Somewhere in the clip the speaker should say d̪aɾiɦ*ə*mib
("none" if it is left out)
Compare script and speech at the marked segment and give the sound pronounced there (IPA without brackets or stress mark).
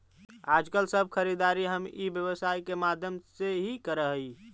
ə